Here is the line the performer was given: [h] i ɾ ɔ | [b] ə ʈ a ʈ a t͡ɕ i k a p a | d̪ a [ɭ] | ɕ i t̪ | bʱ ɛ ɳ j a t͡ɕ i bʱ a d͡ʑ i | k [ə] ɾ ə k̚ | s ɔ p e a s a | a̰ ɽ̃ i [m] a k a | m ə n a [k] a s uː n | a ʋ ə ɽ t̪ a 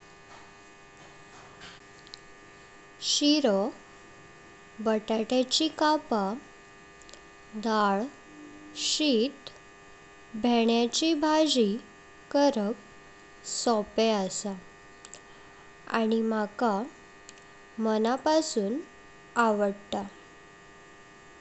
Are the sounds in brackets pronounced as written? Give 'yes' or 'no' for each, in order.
no, yes, yes, yes, yes, no

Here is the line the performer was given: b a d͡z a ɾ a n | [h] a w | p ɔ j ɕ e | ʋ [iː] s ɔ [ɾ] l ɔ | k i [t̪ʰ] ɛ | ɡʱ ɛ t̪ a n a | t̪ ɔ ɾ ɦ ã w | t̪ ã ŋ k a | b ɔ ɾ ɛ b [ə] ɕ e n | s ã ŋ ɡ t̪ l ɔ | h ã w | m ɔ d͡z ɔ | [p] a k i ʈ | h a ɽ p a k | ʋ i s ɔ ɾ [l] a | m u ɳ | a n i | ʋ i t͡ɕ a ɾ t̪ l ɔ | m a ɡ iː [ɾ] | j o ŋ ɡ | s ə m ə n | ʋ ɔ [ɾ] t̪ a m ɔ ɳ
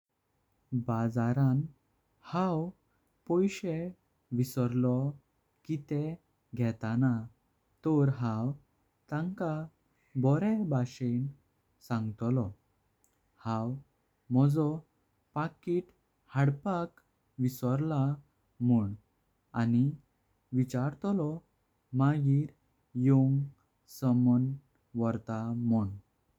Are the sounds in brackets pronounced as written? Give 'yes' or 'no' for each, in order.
yes, no, yes, no, no, yes, yes, yes, yes

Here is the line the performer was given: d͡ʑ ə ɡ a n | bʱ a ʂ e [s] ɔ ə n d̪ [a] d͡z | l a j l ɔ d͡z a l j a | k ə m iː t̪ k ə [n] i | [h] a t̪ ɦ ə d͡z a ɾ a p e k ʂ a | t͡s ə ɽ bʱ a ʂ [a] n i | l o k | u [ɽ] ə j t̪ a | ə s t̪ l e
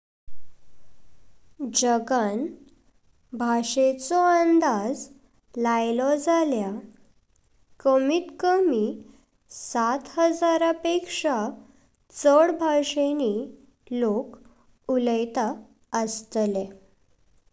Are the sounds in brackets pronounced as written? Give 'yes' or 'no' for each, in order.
no, yes, no, no, no, no

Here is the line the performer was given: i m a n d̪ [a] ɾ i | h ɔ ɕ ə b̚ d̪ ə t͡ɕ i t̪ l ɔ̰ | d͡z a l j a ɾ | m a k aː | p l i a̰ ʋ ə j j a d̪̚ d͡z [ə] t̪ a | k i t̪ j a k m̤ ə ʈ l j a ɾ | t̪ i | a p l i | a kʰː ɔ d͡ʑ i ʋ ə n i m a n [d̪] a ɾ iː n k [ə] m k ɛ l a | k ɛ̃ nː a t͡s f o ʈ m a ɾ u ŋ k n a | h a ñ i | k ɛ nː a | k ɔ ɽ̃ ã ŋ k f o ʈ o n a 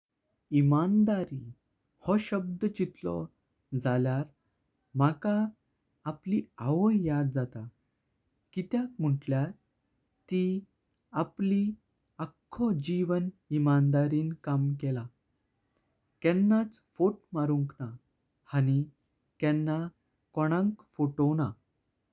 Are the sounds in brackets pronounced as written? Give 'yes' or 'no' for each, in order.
yes, no, yes, no

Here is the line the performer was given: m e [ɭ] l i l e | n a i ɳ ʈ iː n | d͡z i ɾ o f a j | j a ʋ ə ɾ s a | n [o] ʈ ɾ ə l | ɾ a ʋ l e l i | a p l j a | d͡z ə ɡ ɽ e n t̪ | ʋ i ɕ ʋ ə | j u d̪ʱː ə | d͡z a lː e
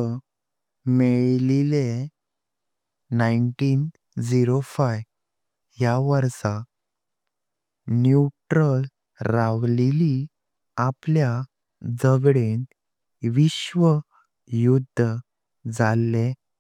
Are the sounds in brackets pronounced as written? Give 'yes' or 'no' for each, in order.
yes, no

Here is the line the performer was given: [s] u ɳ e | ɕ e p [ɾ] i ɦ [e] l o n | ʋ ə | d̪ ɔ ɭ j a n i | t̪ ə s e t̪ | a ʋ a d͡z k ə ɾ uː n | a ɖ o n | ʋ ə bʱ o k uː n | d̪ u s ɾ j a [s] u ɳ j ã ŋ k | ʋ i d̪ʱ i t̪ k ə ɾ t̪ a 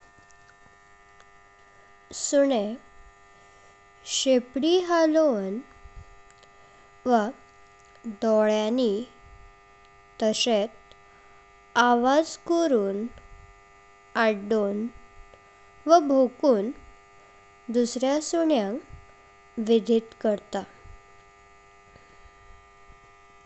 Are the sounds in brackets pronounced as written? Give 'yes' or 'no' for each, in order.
yes, no, no, yes

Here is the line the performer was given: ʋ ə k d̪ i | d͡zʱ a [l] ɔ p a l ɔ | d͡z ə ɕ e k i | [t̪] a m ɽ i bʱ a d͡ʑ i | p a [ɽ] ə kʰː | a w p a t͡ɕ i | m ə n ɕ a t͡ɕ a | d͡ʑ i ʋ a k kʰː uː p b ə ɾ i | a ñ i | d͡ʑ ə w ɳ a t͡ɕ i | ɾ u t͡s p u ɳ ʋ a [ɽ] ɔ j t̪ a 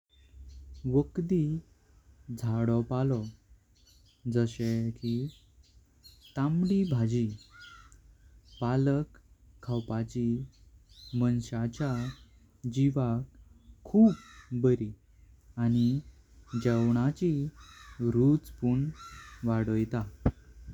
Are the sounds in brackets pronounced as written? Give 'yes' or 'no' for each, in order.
no, yes, no, yes

